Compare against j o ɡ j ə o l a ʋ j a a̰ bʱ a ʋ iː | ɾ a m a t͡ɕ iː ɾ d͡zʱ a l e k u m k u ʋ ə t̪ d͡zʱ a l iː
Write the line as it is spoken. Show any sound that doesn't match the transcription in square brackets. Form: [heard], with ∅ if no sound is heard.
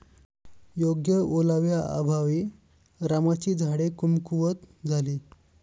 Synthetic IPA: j o ɡ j ə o l a ʋ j a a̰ bʱ a ʋ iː | ɾ a m a t͡ɕ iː [∅] d͡zʱ a [ɽ] e k u m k u ʋ ə t̪ d͡zʱ a l iː